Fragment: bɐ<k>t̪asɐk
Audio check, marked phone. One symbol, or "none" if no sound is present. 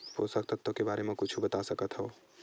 none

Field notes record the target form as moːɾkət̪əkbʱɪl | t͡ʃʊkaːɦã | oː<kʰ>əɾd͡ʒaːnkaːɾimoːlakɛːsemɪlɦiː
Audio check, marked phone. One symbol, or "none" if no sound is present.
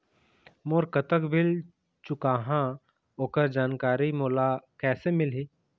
k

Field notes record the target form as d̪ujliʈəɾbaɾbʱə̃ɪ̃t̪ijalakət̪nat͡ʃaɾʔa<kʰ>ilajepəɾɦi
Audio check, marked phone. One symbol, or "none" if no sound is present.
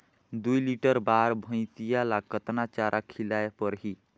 kʰ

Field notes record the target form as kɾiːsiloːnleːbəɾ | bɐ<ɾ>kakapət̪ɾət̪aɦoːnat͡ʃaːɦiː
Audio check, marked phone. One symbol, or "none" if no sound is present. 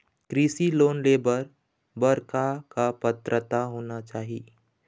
ɾ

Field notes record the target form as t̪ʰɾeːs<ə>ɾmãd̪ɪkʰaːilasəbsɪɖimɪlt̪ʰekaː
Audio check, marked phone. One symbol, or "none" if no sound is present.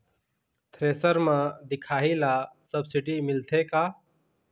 ə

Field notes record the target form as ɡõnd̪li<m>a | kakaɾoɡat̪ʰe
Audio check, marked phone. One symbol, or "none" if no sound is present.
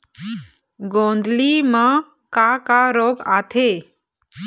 m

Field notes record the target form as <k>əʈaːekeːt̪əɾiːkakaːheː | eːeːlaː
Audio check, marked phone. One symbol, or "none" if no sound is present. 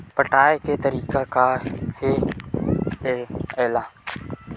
p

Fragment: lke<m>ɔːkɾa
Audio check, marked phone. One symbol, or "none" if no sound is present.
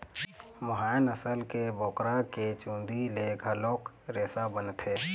b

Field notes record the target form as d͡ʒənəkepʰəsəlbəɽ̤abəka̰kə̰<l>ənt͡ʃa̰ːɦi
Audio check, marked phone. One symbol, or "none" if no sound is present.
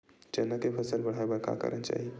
ɾ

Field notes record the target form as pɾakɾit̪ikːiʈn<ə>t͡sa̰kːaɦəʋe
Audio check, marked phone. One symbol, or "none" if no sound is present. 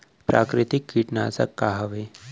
a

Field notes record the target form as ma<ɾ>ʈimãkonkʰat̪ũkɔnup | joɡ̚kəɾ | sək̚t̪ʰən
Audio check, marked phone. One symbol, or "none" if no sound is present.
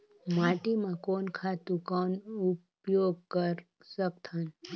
none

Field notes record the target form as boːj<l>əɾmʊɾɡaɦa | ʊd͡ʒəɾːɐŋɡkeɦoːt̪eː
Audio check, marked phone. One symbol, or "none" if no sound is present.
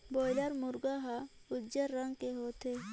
l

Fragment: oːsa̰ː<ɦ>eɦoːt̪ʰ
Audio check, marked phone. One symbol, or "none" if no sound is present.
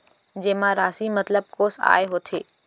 none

